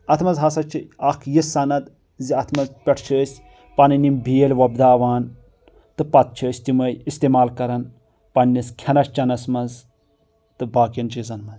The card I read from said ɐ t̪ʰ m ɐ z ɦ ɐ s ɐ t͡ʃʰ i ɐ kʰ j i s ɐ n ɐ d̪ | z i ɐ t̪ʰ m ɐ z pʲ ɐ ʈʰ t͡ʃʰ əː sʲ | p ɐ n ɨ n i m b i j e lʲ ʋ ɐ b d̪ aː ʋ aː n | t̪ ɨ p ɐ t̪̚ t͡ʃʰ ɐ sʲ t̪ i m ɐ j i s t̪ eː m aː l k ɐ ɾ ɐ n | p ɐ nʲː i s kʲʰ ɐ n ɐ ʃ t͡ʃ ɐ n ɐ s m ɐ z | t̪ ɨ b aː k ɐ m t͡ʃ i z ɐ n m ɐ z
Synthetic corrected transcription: ɐ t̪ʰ m ɐ z ɦ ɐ s ɐ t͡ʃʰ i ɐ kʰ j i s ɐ n ɐ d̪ | z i ɐ t̪ʰ m ɐ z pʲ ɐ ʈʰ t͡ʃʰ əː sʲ | p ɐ n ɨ n i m b i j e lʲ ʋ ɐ b d̪ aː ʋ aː n | t̪ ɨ p ɐ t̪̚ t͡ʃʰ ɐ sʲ t̪ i m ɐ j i s t̪ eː m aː l k ɐ ɾ ɐ n | p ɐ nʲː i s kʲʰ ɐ n ɐ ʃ t͡ʃ ɐ n ɐ s m ɐ z | t̪ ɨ b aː k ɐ n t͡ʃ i z ɐ n m ɐ z